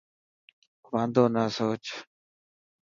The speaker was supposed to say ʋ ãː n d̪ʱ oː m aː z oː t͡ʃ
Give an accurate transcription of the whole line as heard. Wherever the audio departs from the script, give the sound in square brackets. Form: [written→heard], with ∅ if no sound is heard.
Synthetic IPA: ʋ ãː n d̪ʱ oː [m→n] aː [z→s] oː t͡ʃ